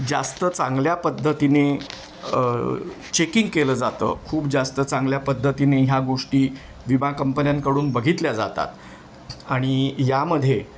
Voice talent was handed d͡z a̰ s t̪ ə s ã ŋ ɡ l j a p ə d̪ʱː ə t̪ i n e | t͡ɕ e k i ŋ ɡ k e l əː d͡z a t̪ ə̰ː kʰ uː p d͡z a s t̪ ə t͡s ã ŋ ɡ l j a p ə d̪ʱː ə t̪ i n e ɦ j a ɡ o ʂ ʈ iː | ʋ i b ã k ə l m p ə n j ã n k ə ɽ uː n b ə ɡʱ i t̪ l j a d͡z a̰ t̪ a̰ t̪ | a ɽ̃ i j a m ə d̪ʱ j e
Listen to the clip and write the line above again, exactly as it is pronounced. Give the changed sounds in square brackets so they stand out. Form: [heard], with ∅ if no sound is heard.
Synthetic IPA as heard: d͡z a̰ s t̪ ə [t͡s] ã ŋ ɡ l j a p ə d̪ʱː ə t̪ i n e | t͡ɕ e k i ŋ ɡ k e l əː d͡z a t̪ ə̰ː kʰ uː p d͡z a s t̪ ə t͡s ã ŋ ɡ l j a p ə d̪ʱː ə t̪ i n e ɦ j a ɡ o ʂ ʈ iː | ʋ i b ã k ə [∅] m p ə n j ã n k ə ɽ uː n b ə ɡʱ i t̪ l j a d͡z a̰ t̪ a̰ t̪ | a ɽ̃ i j a m ə d̪ʱ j e

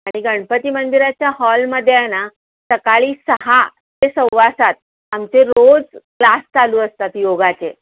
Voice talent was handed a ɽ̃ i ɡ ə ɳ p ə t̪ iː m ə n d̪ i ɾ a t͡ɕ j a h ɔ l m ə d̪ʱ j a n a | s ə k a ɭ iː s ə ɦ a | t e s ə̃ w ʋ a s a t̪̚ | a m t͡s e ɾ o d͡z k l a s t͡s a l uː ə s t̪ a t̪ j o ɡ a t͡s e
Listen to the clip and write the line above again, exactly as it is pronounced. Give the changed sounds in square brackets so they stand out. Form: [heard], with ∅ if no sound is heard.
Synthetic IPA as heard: a ɽ̃ i ɡ ə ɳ p ə t̪ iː m ə n d̪ i ɾ a t͡ɕ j a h ɔ l m ə d̪ʱ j a n a | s ə k a ɭ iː s ə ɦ a | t e s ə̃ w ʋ a s a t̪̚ | a m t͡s e ɾ o d͡z k l a s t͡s a l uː ə s t̪ a t̪ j o ɡ a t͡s e

